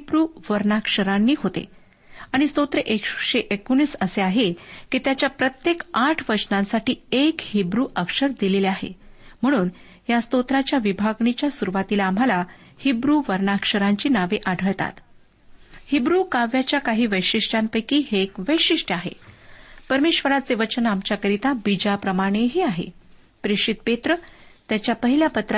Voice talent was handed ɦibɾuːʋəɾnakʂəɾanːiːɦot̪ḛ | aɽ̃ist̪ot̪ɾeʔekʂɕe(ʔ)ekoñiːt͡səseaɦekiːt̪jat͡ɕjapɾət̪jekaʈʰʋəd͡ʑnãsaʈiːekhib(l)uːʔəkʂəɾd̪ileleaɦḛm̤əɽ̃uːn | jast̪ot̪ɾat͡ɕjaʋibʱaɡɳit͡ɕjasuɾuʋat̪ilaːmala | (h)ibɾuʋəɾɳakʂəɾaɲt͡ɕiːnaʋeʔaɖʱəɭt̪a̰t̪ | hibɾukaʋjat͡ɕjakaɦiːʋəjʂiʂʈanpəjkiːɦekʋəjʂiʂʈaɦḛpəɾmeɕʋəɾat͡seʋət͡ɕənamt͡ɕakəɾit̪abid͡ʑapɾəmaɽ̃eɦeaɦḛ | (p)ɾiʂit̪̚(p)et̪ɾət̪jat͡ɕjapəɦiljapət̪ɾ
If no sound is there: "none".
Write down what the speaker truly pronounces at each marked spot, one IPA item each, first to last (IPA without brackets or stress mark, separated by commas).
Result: ʔ, ɾ, h, p, p